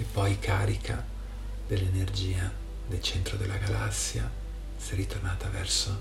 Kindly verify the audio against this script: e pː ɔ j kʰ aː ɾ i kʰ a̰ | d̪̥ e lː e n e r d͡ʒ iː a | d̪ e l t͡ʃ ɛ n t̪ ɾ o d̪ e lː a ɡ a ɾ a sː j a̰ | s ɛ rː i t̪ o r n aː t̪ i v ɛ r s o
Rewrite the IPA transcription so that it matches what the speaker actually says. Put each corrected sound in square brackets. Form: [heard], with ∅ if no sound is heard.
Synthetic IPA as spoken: e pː ɔ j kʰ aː ɾ i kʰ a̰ | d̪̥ e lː e n e r d͡ʒ iː a | d̪ e l t͡ʃ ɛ n t̪ ɾ o d̪ e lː a ɡ a [l] a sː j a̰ | s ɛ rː i t̪ o r n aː t̪ [a] v ɛ r s o